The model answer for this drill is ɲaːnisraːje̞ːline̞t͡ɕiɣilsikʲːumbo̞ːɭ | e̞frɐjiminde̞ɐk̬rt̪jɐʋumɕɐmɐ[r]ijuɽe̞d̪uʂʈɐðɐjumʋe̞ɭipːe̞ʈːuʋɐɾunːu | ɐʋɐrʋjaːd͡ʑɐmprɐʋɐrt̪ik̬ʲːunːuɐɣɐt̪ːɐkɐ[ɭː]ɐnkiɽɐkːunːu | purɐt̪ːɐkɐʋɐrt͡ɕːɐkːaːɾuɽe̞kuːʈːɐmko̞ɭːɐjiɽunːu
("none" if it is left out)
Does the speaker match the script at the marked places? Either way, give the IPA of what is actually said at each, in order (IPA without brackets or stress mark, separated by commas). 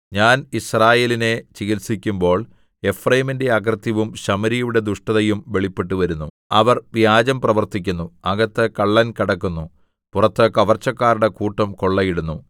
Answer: ɾ, ɭː